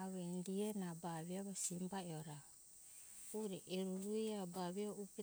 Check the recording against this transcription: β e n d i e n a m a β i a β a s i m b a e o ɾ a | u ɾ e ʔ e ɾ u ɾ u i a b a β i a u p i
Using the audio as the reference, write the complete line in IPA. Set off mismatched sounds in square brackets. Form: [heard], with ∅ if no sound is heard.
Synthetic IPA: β e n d i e n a [b] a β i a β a s i m b a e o ɾ a | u ɾ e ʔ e ɾ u ɾ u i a b a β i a u p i

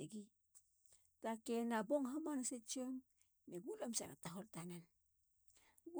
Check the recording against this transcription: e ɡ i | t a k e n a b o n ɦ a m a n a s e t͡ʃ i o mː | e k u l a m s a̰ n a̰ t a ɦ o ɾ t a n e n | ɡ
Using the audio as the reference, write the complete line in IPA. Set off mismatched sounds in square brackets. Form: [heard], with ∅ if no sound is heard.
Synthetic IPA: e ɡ i | t a k e n a b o [ŋ] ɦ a m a n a s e t͡ʃ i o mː | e [ɡ] u l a m s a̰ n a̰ t a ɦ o [l] t a n [a] n | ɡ

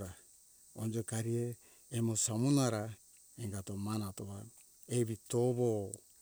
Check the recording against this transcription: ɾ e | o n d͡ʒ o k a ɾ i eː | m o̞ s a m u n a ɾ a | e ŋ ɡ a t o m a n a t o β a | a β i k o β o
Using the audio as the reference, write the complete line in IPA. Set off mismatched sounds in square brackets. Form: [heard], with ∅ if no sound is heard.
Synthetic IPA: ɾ [a] | o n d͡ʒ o k a ɾ i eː | m o̞ s a m u n a ɾ a | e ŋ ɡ a t o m a n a t o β a | [e] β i [t] o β o

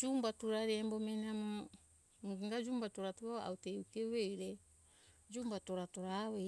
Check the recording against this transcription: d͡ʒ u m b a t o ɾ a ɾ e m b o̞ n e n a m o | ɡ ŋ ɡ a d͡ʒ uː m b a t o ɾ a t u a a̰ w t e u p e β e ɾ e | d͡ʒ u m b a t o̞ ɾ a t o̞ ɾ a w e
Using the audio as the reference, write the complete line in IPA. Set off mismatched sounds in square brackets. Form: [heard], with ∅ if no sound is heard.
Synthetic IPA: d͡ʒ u m b a t [u] ɾ a ɾ e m b o̞ [m] e n a m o | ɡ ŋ ɡ a d͡ʒ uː m b a t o ɾ a t u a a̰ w t e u [k] e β e ɾ e | d͡ʒ u m b a t o̞ ɾ a t o̞ ɾ a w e

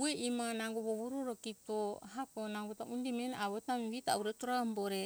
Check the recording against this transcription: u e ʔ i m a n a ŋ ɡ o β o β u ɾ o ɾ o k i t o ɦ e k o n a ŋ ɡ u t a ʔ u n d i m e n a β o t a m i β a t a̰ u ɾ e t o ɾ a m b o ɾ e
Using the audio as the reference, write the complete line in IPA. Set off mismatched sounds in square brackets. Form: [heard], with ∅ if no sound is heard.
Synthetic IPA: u e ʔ i m a n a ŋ ɡ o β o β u ɾ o ɾ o k i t o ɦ [a] k o n a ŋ ɡ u t a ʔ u n d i m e n a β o t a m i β [i] t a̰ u ɾ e t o ɾ a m b o ɾ e

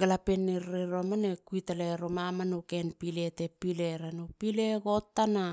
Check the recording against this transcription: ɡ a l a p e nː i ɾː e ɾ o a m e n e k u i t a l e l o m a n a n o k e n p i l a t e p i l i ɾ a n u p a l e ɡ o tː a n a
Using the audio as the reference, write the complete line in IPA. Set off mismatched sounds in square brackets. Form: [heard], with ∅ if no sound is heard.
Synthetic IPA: ɡ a l a p e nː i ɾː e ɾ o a m [a] n e k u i t a l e [ɾ] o m a [m] a n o k e n p i l [e] t e p i l [e] ɾ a n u p [i] l e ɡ o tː a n a

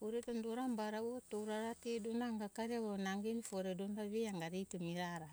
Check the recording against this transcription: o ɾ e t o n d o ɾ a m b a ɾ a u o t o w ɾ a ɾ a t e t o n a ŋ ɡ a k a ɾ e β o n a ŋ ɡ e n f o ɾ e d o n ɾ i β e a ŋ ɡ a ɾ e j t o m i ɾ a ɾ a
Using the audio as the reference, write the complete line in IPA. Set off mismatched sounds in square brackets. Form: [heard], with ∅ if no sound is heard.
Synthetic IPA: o ɾ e t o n d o ɾ a m b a ɾ a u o t o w ɾ a ɾ a t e [d] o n a ŋ ɡ a k a ɾ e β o n a ŋ ɡ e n f o ɾ e d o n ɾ [a] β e a ŋ ɡ a ɾ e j t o m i ɾ a ɾ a

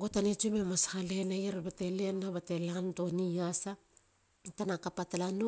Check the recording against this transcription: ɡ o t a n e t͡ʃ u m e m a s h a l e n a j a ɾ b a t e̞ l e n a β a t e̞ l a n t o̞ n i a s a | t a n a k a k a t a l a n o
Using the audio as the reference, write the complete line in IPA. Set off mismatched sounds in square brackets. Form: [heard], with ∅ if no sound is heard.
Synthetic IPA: ɡ o t a n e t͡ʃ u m e m a s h a l e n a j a ɾ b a t e̞ l e n a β a t e̞ l a n t o̞ n i a s a | t a n a k a [p] a t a l a n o

